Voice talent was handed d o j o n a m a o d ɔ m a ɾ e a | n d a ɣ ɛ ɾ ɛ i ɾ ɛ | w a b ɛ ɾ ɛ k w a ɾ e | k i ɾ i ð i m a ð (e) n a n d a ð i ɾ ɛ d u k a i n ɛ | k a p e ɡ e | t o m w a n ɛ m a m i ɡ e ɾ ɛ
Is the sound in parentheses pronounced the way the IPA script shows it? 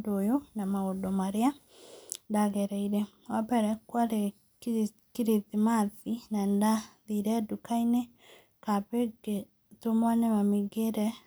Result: no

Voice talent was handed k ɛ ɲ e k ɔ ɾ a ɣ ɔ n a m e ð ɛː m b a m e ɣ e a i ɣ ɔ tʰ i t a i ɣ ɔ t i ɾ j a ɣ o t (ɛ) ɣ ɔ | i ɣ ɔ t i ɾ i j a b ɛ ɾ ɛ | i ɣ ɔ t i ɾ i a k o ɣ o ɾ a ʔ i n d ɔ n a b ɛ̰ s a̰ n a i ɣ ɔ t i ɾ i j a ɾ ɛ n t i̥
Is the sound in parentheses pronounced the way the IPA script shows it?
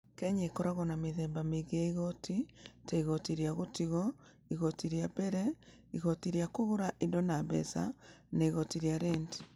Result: no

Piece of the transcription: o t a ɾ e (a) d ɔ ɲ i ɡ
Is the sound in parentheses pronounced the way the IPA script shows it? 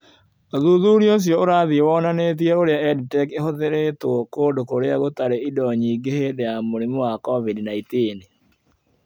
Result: no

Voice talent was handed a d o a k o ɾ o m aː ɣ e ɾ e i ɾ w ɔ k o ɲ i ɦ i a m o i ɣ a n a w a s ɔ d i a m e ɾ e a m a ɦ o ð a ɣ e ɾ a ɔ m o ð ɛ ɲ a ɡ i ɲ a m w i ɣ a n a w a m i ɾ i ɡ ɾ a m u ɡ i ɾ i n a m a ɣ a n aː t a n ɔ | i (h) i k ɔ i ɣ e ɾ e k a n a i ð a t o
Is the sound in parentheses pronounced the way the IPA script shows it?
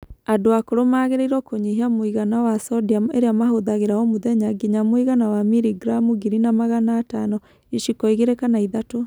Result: no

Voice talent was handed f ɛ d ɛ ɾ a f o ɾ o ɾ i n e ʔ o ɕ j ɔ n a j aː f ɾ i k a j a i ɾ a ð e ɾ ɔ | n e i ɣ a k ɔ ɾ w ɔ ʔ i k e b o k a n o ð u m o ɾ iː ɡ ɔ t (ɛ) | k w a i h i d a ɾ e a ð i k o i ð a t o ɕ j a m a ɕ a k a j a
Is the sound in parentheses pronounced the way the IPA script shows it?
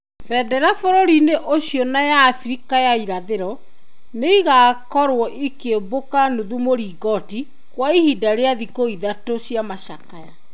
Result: no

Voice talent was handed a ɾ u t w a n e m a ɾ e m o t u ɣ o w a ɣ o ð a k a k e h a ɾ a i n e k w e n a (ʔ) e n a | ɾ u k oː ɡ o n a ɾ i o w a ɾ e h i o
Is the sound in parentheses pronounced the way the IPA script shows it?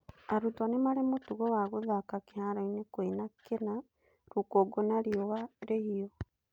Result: no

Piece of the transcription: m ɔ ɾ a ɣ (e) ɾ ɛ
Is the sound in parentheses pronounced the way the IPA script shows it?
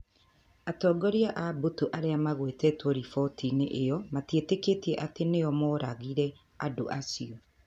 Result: no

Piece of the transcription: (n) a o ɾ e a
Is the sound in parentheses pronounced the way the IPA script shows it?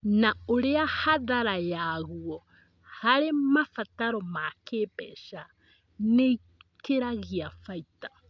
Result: yes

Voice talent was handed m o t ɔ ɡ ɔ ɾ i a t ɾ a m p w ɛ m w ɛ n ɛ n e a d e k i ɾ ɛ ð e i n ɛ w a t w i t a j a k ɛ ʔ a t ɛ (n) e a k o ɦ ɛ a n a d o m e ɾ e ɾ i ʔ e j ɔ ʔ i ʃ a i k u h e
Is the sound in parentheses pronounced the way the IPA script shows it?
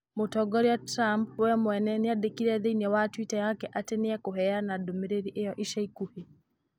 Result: yes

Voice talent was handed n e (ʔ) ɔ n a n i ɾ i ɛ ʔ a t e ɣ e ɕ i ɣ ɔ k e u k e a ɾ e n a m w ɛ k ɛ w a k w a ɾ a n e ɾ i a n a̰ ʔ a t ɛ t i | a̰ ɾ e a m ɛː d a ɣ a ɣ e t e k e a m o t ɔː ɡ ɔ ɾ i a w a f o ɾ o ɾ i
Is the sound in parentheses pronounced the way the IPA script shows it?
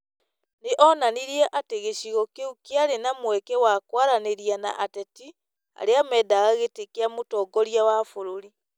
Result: yes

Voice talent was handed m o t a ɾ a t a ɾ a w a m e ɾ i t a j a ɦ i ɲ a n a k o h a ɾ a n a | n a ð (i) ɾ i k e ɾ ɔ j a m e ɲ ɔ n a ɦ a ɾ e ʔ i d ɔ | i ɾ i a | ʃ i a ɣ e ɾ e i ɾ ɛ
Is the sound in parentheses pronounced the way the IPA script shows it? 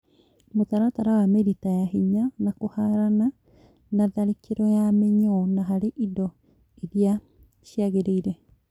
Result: no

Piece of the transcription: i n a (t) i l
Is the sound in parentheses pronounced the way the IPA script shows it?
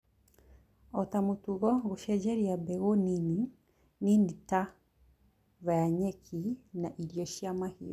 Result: no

